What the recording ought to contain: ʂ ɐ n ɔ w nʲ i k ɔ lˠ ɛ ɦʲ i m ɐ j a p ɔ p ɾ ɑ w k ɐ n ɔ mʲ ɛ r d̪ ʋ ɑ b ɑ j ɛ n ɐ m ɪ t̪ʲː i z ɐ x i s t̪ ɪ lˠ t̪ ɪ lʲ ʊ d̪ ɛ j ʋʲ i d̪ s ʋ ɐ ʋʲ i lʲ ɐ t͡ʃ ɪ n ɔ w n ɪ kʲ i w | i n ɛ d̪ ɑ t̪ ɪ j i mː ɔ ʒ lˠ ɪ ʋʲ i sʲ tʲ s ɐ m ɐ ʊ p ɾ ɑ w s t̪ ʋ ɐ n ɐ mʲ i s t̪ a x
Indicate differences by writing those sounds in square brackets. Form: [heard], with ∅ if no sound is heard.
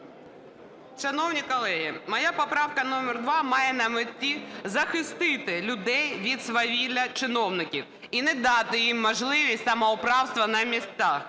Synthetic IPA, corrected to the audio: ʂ ɐ n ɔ w nʲ i k ɔ lˠ ɛ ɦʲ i m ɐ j a p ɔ p ɾ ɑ w k ɐ n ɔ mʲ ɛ r d̪ ʋ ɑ [m] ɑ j ɛ n ɐ m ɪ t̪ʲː i z ɐ x [ɪ] s t̪ ɪ [∅] t̪ ɪ lʲ ʊ d̪ ɛ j ʋʲ i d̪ s ʋ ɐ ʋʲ i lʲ ɐ t͡ʃ ɪ n ɔ w n ɪ kʲ i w | i n ɛ d̪ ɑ t̪ ɪ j i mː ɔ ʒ lˠ ɪ ʋʲ i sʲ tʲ s ɐ m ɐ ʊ p ɾ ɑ w s t̪ ʋ ɐ n ɐ mʲ i s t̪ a x